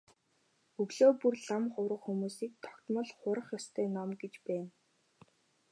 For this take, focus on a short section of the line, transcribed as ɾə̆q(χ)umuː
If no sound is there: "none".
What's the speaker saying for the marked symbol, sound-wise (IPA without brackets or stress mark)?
x